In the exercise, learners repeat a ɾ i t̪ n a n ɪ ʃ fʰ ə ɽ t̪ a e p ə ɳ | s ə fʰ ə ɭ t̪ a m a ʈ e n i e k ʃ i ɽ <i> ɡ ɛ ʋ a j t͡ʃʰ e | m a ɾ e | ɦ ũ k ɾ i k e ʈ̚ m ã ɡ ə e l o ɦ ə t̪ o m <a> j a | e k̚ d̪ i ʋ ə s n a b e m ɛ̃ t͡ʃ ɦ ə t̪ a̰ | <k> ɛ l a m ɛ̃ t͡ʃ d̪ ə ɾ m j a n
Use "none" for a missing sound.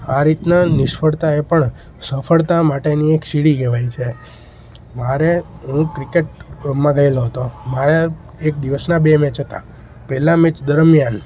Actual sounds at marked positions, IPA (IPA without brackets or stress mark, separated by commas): i, a, p